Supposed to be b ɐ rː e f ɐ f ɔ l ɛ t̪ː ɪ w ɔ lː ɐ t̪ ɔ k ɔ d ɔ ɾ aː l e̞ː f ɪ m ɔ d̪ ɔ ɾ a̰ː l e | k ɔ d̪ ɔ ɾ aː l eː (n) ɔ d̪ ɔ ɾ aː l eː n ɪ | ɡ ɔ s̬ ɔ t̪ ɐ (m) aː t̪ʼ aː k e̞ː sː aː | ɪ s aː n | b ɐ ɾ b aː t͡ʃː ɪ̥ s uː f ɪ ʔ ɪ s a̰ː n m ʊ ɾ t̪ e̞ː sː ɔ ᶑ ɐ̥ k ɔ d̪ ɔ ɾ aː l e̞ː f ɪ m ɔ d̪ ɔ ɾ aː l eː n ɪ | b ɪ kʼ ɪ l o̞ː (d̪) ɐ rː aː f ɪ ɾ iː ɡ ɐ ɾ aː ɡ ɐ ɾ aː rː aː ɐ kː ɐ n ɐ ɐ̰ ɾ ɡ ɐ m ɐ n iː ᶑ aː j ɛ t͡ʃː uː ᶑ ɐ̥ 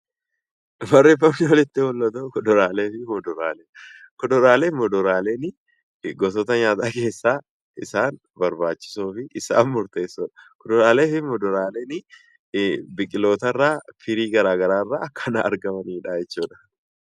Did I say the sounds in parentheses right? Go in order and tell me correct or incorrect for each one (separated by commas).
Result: incorrect, incorrect, incorrect